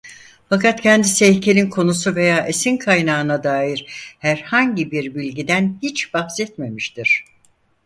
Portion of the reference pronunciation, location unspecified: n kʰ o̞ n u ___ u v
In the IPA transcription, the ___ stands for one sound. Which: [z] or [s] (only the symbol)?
s